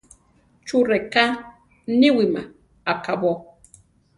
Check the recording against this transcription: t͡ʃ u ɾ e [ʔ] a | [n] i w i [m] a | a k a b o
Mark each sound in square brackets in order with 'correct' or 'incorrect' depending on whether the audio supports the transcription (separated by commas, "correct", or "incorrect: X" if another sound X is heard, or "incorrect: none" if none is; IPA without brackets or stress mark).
incorrect: k, correct, correct